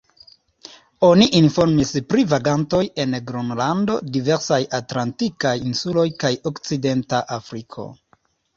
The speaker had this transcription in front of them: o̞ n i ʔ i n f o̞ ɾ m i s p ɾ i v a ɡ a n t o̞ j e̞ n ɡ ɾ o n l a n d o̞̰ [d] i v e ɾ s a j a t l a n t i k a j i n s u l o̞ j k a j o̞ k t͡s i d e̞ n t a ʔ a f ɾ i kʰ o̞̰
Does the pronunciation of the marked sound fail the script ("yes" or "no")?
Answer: no